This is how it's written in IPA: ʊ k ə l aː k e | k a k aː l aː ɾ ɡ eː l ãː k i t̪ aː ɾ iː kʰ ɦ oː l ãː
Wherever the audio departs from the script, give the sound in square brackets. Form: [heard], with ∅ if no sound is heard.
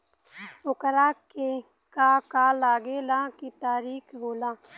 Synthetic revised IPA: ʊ k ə [ɾ] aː k e | k a k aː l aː [∅] ɡ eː l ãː k i t̪ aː ɾ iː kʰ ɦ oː l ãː